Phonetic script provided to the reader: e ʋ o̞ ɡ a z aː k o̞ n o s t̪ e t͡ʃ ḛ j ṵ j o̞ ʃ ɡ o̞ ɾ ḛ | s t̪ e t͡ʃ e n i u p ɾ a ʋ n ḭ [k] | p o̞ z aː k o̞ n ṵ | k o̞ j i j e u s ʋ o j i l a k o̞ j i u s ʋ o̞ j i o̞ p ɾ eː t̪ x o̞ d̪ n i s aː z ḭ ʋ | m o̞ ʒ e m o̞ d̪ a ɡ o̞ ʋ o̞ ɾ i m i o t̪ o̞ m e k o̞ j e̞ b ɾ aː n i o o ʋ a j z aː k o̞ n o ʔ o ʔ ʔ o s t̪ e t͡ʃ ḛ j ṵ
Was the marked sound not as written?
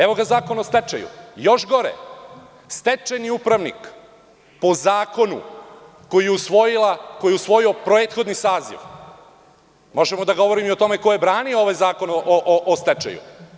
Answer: no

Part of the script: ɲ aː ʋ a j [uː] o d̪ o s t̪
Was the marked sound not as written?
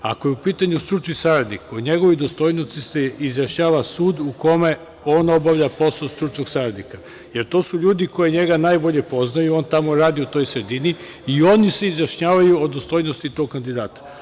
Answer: yes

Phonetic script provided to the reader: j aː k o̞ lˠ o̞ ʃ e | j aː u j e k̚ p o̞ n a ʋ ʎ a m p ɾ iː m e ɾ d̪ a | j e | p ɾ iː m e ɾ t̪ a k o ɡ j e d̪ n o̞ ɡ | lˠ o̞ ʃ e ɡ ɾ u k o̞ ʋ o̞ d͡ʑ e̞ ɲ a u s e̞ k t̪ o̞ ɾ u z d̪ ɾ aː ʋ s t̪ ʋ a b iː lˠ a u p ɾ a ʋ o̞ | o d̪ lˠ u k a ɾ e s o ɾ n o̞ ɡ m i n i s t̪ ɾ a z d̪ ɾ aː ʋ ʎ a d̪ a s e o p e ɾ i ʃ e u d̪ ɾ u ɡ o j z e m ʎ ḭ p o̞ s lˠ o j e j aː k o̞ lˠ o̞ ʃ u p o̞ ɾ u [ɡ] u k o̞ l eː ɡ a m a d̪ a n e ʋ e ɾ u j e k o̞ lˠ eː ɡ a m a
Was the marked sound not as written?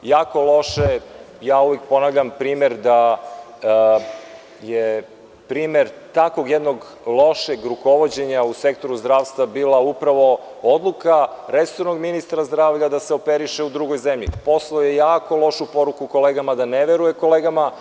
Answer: yes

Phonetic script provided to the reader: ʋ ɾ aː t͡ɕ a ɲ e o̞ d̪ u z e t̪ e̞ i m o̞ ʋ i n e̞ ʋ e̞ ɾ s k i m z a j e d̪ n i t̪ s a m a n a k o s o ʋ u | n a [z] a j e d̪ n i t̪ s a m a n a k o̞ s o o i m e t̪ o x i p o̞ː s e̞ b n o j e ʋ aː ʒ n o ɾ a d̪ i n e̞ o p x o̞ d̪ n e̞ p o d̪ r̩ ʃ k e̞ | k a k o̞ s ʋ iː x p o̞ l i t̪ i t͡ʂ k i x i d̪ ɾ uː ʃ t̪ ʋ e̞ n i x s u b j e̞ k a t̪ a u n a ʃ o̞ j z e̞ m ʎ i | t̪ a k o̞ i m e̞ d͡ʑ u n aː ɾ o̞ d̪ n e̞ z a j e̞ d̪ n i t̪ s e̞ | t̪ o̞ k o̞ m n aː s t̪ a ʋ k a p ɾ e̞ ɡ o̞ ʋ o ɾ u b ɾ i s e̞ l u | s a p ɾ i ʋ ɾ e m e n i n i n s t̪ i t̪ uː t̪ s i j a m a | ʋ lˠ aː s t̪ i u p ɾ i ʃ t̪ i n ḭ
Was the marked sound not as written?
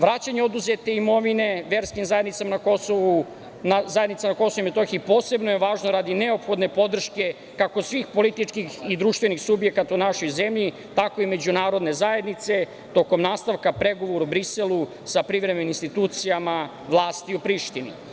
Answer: no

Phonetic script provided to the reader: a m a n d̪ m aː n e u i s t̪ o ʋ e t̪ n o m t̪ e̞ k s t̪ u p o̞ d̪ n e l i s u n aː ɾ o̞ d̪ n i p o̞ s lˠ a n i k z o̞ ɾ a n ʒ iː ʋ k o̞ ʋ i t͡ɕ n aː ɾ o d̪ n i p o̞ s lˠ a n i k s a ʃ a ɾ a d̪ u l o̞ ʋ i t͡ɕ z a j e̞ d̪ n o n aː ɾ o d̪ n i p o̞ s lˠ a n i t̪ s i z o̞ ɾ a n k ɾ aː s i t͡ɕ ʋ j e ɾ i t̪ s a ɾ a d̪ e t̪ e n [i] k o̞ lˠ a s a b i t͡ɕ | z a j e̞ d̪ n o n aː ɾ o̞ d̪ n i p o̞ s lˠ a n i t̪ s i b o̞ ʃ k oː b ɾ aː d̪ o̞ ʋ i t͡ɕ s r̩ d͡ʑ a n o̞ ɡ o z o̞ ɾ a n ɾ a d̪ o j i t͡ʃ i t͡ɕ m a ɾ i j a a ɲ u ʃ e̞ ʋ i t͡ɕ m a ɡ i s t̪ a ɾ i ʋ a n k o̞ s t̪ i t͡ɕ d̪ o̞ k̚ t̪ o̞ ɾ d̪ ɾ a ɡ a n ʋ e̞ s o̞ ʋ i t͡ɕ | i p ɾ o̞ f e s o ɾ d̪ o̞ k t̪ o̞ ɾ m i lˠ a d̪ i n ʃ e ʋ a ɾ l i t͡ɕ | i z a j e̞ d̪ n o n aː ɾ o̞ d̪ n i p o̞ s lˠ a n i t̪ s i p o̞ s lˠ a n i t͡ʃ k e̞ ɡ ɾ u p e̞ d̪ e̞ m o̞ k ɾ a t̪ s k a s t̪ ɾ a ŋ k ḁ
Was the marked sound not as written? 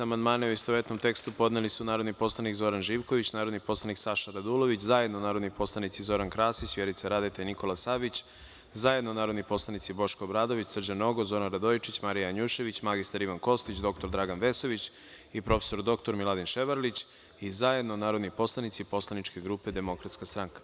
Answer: no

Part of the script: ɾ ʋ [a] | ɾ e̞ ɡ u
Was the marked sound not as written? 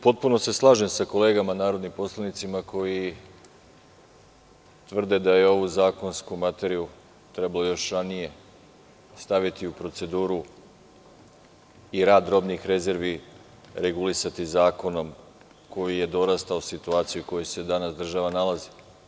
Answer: yes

